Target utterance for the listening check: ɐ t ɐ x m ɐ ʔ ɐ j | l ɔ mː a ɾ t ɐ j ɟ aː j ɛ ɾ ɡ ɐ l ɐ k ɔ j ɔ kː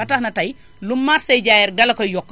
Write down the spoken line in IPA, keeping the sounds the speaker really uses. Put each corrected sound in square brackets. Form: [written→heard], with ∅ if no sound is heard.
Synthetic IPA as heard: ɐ t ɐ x [m→n] ɐ [ʔ→t] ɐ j | l [ɔ→u] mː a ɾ [t→s] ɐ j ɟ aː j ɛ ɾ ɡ ɐ l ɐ k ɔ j ɔ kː